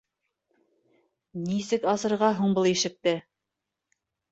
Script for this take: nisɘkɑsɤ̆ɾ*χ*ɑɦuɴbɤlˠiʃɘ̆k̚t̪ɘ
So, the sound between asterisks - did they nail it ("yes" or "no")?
no